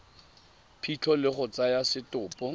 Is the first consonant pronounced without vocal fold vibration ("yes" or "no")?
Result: yes